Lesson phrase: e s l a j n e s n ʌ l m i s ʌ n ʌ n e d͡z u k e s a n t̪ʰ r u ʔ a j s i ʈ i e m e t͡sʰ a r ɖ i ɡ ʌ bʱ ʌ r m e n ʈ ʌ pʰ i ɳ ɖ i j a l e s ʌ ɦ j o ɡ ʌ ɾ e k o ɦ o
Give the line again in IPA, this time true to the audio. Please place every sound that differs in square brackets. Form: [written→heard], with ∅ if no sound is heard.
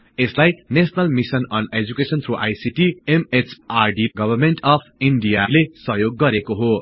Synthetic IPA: e s l a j n e s n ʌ l m i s ʌ n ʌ n e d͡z u k e s [a→ʌ] n t̪ʰ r u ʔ a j s i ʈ i e m e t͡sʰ a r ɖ i ɡ ʌ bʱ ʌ r m e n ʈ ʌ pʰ i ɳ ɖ i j a l e s ʌ ɦ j o [ɡ→ɡː] ʌ ɾ e k o ɦ o